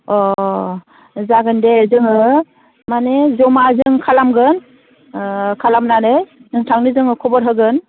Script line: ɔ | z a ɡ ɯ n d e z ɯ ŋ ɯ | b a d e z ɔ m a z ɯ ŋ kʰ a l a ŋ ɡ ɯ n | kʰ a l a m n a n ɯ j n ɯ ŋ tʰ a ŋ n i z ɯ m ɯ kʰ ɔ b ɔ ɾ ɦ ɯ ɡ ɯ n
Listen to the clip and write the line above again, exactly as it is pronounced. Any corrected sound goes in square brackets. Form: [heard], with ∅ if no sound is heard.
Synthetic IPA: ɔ | z a ɡ ɯ n d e z ɯ ŋ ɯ | [m] a [n] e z ɔ m a z ɯ ŋ kʰ a l a [m] ɡ ɯ n | kʰ a l a m n a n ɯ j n ɯ ŋ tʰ a ŋ n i z ɯ [ŋ] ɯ kʰ ɔ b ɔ ɾ ɦ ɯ ɡ ɯ n